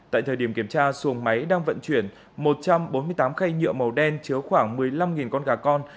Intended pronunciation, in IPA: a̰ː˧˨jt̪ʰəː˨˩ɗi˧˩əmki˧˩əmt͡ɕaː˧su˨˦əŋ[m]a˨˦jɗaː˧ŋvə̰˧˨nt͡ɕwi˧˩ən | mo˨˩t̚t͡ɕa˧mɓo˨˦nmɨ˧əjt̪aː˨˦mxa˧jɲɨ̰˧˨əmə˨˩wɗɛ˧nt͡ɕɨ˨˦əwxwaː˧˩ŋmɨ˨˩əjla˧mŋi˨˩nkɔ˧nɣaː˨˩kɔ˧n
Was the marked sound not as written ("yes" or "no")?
no